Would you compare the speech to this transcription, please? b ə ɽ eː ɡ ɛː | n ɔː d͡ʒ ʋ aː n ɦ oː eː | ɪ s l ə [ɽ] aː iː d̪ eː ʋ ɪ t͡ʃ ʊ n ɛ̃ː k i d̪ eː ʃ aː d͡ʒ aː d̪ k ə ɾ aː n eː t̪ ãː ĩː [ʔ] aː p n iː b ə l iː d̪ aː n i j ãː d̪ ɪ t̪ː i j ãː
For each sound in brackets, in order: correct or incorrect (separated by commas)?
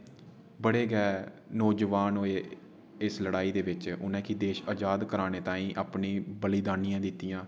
correct, correct